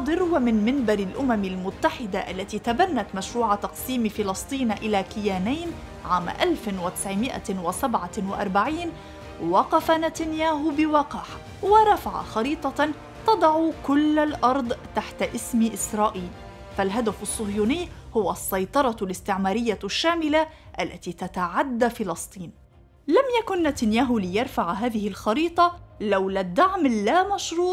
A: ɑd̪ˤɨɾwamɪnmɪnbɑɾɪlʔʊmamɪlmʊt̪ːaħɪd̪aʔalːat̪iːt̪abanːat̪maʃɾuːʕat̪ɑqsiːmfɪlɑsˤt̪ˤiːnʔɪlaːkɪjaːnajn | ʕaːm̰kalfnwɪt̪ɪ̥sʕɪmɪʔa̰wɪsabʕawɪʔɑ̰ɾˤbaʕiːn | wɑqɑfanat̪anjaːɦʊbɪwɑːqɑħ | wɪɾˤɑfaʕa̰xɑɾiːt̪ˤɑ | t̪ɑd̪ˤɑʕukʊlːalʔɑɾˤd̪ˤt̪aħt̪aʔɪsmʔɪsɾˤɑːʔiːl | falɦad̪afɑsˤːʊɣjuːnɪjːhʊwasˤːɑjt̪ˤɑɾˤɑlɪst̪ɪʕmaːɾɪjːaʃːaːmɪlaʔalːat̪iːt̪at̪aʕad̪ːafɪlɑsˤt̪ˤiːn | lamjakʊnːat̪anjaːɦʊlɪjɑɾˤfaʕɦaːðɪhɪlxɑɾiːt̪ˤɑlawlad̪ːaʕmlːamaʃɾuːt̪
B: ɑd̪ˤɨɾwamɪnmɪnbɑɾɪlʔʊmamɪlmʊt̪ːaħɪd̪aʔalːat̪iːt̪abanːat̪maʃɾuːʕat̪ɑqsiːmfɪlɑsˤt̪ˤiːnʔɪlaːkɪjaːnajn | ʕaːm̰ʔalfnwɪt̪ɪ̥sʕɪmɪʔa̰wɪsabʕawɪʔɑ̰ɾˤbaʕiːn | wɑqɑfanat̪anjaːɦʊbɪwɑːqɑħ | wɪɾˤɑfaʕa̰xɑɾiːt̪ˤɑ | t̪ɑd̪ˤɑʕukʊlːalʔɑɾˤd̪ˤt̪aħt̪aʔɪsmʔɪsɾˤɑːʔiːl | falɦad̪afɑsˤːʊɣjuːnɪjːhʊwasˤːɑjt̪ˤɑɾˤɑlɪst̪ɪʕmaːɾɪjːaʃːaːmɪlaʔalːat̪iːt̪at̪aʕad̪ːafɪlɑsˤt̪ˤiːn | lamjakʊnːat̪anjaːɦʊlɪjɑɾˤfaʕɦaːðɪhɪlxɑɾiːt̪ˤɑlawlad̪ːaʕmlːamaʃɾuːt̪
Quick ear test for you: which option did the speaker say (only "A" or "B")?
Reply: B